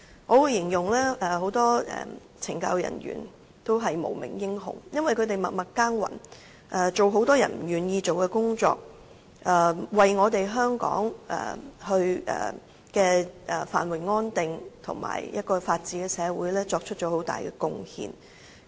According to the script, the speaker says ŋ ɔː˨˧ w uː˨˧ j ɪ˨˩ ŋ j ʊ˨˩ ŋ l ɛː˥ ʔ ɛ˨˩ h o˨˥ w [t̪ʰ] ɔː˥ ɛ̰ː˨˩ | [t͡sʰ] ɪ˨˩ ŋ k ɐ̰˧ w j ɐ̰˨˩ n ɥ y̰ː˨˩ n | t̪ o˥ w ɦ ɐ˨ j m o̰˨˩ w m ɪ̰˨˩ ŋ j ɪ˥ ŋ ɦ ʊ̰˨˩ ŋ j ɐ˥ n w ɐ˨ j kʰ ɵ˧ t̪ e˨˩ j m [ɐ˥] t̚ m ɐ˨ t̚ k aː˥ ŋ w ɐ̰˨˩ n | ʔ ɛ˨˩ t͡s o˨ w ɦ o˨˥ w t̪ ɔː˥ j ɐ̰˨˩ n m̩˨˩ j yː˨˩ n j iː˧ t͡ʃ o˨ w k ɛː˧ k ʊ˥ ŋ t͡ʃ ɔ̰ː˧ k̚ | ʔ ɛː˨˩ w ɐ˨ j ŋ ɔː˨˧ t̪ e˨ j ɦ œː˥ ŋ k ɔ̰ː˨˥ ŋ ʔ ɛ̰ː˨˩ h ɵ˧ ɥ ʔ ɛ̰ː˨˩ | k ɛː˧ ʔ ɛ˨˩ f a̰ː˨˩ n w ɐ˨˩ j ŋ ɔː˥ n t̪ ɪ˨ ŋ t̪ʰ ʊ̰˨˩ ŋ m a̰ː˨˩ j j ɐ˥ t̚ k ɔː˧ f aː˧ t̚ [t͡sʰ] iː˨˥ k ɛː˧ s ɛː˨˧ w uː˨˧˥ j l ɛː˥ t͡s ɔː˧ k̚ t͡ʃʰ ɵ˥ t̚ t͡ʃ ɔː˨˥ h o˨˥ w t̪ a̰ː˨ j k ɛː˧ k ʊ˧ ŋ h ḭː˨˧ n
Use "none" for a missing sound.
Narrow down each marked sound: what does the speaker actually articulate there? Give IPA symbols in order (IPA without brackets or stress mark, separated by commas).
t̪, t͡sʰ, ɐ˨, t͡s